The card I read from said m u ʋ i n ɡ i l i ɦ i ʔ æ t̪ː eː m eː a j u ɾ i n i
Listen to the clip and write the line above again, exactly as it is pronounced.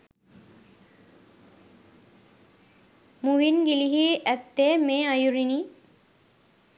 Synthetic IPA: m u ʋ i n ɡ i l i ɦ i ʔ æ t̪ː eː m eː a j u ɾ i n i